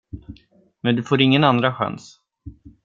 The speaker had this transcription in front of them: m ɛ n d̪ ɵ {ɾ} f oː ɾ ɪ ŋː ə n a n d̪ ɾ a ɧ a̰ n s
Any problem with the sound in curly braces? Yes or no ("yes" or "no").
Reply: yes